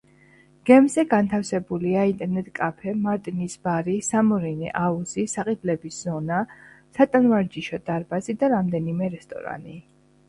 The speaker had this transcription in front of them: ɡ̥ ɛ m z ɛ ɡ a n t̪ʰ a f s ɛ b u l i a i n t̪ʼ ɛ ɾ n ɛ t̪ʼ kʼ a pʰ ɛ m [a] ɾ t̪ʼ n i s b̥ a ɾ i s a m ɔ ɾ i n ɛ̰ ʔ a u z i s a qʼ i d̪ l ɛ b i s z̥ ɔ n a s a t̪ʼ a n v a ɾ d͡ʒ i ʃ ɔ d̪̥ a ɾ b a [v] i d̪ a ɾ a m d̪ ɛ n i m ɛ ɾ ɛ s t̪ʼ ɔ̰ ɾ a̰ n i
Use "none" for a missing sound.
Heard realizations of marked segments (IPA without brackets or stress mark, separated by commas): a, z